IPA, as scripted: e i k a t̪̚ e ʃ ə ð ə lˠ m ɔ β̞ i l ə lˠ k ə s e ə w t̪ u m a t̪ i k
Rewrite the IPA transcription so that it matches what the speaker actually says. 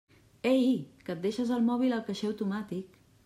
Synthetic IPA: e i k ə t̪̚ e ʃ ə z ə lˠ m ɔ β̞ i l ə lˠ k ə ʃ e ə w t̪ u m a t̪ i k